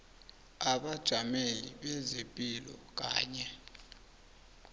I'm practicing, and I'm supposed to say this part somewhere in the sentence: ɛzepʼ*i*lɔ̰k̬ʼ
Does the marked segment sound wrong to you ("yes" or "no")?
no